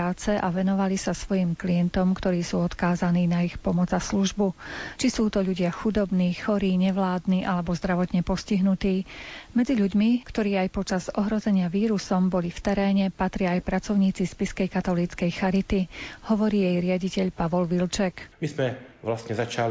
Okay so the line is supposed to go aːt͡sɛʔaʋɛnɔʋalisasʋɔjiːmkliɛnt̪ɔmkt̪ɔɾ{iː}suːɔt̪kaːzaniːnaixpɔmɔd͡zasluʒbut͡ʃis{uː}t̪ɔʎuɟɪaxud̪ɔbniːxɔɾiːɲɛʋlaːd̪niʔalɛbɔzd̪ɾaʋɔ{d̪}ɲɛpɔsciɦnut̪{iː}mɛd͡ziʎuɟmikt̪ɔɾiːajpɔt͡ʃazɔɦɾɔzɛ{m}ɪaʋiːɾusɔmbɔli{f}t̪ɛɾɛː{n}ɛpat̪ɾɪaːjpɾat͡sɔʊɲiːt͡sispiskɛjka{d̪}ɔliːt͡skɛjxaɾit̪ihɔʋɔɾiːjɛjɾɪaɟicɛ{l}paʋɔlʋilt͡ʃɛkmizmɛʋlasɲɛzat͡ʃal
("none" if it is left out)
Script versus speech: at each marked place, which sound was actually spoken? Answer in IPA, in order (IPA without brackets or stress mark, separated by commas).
iː, uː, t̪, iː, ɲ, f, ɲ, t̪, ʎ